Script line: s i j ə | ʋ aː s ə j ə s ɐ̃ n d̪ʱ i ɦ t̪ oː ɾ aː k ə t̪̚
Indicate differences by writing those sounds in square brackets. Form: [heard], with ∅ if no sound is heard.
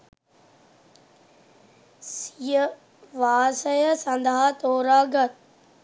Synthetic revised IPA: s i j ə | ʋ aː s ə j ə s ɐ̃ n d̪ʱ [a] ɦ t̪ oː ɾ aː [ɡ] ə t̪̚